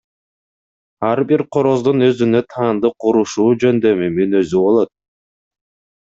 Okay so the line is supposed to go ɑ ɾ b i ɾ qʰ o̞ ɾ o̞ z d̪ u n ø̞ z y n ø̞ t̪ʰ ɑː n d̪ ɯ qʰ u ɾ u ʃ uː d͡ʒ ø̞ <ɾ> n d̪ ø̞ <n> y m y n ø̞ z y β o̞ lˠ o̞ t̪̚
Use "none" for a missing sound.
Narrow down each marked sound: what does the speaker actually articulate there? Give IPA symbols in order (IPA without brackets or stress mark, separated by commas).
none, m